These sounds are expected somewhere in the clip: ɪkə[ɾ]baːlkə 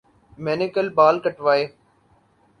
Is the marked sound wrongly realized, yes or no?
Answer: yes